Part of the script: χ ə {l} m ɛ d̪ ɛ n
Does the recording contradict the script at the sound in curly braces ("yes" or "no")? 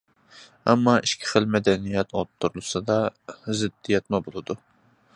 no